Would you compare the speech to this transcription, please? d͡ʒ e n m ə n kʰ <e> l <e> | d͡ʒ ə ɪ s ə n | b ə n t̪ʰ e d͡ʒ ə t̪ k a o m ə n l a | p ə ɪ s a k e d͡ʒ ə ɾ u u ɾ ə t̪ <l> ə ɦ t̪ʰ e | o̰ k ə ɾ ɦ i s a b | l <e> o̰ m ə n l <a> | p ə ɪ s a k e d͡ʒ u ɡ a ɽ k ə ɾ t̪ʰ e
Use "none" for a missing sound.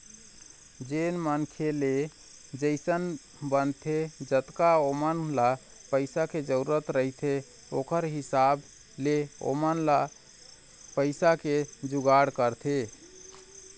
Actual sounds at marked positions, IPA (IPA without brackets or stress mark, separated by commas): e, e, ɾ, e, a